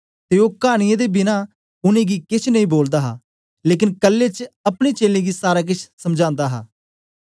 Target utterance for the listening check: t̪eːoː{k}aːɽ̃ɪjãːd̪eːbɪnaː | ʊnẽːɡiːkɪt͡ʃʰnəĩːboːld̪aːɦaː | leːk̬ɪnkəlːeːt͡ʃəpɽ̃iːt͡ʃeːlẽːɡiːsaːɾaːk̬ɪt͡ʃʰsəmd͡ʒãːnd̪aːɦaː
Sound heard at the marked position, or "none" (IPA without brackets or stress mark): k